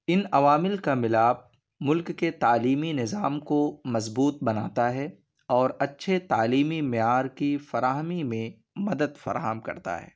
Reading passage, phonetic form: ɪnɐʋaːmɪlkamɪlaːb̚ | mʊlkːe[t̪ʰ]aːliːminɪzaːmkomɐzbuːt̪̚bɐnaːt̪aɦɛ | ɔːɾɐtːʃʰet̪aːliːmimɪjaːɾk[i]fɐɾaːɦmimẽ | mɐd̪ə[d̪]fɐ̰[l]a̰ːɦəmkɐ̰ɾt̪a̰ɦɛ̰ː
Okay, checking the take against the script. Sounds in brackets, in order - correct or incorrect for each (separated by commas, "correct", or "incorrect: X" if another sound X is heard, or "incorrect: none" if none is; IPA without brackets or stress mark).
incorrect: t̪, correct, correct, incorrect: ɾ